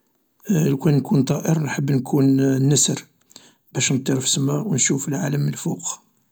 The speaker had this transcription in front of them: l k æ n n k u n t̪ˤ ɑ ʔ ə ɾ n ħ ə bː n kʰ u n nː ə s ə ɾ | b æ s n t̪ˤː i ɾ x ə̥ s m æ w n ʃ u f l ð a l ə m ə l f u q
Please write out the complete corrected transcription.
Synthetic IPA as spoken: l k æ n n k u n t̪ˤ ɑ ʔ ə ɾ n ħ ə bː n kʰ u n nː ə s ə ɾ | b æ ʃ n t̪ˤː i ɾ f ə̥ s m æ w n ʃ u f l ʕ a l ə m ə l f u q